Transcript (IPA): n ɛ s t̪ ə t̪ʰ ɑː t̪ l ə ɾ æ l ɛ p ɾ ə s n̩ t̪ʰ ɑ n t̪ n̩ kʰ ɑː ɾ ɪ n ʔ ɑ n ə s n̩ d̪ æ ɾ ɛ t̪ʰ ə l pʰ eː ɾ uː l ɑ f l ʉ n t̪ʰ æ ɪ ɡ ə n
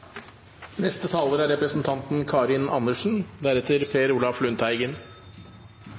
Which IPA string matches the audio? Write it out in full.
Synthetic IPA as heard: n ɛ s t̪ ə t̪ʰ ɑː l ə ɾ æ ɾ ɛ p ɾ ə s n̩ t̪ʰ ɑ n t̪ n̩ kʰ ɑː ɾ ɪ n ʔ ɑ n ə ʂ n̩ d̪ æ ɾ ɛ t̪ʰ ə ɾ pʰ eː ɾ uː l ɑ f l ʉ n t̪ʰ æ ɪ ɡ ə n